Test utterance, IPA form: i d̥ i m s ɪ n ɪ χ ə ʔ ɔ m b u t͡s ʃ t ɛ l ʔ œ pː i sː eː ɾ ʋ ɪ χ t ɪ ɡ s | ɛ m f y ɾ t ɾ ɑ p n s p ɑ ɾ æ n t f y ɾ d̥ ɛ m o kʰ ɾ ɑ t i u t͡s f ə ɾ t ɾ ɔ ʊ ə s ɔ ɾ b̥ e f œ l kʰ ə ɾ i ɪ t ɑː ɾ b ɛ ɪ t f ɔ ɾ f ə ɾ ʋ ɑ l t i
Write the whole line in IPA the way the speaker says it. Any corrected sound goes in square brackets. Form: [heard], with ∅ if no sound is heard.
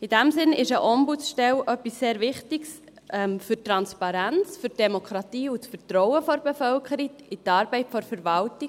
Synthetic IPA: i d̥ [æ] m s ɪ n ɪ [ʃ] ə ʔ ɔ m b u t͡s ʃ t ɛ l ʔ œ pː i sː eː ɾ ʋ ɪ χ t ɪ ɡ s | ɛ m f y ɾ t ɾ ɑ [∅] n s p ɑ ɾ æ n [t͡s] f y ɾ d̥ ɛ m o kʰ ɾ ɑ t [iː] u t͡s f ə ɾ t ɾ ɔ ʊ ə [f] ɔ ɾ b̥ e f œ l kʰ ə ɾ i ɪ t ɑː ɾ b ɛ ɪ t f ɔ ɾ f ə ɾ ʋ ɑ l t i